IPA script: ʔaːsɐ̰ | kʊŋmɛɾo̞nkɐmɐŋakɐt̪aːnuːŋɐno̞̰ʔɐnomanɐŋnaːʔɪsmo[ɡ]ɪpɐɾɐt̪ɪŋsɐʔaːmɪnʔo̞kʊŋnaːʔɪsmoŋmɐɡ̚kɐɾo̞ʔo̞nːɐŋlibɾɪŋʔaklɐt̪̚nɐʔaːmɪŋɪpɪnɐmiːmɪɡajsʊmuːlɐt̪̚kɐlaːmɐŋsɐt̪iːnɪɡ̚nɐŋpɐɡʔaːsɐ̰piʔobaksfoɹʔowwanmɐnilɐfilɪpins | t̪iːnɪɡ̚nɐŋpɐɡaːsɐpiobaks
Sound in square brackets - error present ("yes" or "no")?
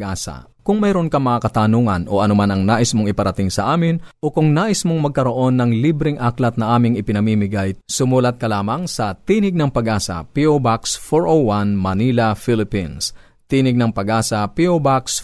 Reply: yes